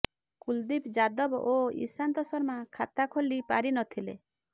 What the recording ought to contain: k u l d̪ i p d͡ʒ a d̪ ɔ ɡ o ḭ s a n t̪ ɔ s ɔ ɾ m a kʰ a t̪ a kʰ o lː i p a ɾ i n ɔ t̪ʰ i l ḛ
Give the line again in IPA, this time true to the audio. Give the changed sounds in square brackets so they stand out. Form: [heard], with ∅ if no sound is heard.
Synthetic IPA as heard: k u l d̪ i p d͡ʒ a d̪ ɔ [b] o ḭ s a n t̪ ɔ s ɔ ɾ m a kʰ a t̪ a kʰ o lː i p a ɾ i n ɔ t̪ʰ i l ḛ